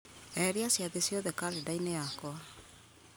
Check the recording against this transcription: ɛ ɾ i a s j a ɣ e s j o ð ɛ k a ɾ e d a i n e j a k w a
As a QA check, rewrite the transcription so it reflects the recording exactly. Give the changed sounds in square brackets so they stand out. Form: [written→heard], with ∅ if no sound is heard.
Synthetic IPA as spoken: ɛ ɾ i a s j a [ɣ→ð] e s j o ð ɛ k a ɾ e d a i n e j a k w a